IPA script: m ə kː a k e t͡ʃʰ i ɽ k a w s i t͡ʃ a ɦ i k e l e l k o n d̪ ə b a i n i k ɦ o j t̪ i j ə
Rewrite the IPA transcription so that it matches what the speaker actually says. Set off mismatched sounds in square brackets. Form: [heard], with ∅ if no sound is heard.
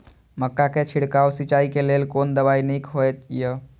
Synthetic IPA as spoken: m ə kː a k e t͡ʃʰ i ɽ k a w s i t͡ʃ a [∅] i k e l e l k o n d̪ ə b a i n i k ɦ o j t̪ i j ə